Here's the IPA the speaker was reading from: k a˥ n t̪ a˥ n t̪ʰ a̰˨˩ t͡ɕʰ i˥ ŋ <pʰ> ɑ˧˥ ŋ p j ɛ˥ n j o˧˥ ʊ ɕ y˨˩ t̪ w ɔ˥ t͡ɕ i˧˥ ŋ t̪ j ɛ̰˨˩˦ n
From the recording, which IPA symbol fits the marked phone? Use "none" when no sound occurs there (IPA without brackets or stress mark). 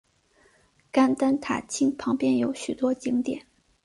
pʰ